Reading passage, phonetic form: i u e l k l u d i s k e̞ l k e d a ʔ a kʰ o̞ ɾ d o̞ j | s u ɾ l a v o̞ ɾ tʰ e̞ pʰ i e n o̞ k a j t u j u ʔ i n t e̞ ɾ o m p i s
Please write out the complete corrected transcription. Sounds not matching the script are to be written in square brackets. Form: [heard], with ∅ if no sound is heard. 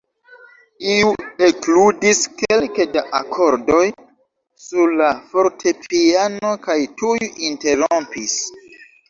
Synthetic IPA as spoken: i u e [∅] k l u d i s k e̞ l k e d a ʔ a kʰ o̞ ɾ d o̞ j | s u ɾ l a [f] o̞ ɾ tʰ e̞ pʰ i [a] n o̞ k a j t u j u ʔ i n t e̞ ɾ o m p i s